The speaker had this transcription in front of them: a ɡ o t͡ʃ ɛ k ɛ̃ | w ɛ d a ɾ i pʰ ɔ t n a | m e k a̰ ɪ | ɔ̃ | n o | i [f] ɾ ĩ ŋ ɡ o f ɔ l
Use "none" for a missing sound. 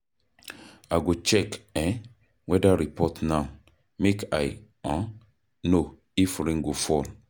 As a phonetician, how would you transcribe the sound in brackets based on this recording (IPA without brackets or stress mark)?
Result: f